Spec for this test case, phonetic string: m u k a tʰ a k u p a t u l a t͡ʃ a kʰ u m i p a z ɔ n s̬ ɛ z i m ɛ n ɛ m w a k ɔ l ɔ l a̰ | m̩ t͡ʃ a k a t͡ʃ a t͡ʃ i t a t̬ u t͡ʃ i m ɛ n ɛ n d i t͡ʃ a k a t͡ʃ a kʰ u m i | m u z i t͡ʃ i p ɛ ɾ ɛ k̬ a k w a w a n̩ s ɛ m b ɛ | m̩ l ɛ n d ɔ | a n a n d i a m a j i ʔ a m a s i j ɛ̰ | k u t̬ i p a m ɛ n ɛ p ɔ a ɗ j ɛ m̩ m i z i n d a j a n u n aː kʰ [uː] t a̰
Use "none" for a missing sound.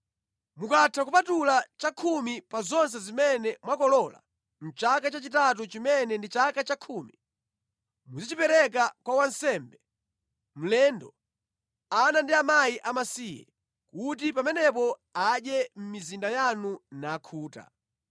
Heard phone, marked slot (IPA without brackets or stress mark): uː